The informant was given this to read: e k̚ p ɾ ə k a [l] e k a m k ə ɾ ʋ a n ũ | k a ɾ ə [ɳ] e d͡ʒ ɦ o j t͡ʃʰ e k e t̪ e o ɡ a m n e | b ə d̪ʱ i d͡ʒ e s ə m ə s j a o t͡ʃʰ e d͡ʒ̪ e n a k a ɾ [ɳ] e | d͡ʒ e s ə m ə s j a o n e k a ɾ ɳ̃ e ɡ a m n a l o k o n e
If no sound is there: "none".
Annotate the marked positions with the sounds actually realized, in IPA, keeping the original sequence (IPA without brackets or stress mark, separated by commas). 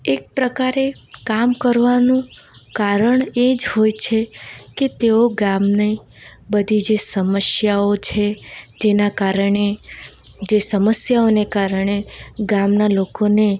ɾ, ɳ, ɳ